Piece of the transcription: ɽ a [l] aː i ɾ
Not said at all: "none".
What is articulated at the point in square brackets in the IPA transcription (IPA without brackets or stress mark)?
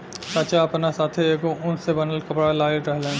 l